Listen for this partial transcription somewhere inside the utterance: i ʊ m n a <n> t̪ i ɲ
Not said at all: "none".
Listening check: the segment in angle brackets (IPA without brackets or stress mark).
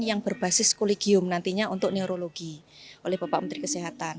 n